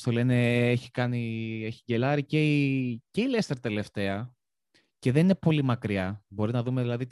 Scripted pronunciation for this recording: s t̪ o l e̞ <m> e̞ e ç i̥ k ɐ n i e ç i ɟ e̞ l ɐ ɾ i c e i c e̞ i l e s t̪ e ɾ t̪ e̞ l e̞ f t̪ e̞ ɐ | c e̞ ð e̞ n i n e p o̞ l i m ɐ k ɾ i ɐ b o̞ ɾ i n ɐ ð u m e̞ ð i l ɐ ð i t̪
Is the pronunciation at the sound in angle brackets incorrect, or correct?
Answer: incorrect